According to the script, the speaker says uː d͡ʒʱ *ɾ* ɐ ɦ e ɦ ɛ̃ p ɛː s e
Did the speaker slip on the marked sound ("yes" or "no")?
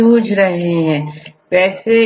no